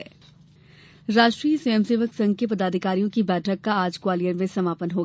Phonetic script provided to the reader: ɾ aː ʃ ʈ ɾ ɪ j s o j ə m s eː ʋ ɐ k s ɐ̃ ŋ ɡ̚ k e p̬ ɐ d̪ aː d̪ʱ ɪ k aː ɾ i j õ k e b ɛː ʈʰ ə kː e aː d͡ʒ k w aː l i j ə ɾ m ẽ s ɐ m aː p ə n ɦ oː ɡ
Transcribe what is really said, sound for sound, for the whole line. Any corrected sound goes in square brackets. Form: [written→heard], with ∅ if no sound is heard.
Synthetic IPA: ɾ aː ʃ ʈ ɾ [ɪ→i] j s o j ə m s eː ʋ [ɐ→ə] k s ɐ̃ ŋ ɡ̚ k e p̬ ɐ d̪ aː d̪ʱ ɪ k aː ɾ i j õ k [e→i] b ɛː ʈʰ ə kː [e→a] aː d͡ʒ k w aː l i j ə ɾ m ẽ s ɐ m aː p ə n ɦ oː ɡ